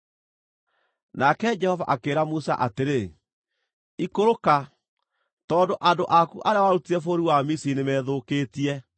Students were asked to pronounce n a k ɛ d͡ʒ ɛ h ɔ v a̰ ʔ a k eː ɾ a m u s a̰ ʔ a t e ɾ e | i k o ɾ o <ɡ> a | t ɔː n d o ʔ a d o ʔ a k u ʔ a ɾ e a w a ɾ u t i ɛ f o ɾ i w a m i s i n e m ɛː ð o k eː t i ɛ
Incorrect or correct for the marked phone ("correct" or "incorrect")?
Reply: incorrect